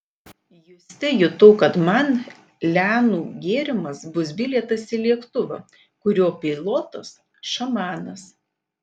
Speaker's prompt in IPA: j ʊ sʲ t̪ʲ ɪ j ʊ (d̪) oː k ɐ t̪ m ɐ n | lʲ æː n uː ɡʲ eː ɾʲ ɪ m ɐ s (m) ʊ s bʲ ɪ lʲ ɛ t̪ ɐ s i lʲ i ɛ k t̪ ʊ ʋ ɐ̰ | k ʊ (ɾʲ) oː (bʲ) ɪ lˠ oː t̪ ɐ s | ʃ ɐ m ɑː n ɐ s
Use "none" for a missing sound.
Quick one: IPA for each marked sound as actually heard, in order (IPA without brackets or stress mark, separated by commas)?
t̪, b, ɾʲ, pʲ